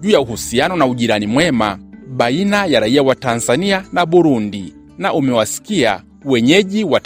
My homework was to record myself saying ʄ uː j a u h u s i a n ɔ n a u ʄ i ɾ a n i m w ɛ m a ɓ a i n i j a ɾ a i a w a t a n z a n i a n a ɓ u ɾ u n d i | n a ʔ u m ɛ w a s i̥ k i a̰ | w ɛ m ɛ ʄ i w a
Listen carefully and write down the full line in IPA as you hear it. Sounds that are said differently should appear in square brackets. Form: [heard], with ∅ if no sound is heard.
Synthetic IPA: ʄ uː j a u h u s i a n ɔ n a u ʄ i ɾ a n i m w ɛ m a ɓ a i n [a] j a ɾ a i a w a t a n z a n i a n a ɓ u ɾ u n d i | n a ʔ u m ɛ w a s i̥ k i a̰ | w ɛ [ɲ] ɛ ʄ i w a